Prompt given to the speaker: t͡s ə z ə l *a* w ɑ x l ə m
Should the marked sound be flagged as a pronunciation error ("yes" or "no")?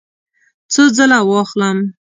no